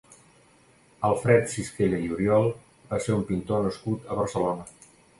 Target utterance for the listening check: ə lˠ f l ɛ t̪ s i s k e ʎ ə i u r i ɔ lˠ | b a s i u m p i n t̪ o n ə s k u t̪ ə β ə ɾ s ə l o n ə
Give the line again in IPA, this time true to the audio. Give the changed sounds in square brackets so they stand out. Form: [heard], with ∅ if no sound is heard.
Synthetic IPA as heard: ə lˠ f [ɾ] ɛ t̪ s i s k e ʎ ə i u [ɾ] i ɔ lˠ | b a s [e] u m p i n t̪ o n ə s k u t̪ ə β ə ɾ s ə l o n ə